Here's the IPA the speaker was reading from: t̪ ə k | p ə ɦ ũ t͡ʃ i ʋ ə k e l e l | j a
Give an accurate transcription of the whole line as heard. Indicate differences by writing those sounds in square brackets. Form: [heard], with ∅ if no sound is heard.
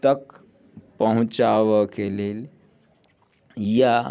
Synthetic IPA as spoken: t̪ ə k | p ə ɦ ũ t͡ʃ [a] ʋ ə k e l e l | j a